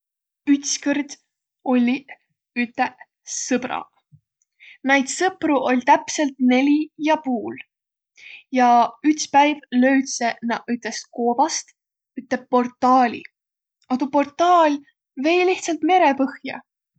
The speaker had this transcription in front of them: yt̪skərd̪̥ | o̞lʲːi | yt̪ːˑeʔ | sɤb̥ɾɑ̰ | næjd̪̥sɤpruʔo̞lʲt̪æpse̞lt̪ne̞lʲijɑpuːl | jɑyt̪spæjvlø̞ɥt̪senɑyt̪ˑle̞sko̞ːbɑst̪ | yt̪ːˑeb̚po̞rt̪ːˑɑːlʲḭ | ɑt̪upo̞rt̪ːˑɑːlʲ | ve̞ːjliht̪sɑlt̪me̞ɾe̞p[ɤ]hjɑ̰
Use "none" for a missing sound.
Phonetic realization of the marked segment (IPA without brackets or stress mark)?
ɤ